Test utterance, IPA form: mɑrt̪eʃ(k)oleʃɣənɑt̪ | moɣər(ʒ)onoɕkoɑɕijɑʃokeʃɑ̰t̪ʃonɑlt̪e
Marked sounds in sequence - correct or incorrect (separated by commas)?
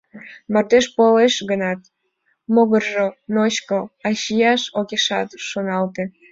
incorrect, correct